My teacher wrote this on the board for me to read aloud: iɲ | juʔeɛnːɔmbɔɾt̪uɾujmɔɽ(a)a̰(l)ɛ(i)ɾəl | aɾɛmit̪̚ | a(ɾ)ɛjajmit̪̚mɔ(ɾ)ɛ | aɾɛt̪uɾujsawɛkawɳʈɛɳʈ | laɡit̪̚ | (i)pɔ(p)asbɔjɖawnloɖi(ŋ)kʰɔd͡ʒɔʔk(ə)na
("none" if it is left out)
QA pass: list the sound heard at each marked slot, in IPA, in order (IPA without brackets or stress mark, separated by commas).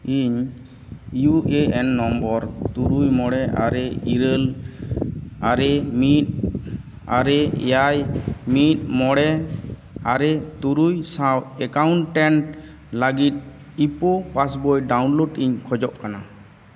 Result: ɛ, ɾ, i, ɾ, ɽ, i, p, ɲ, a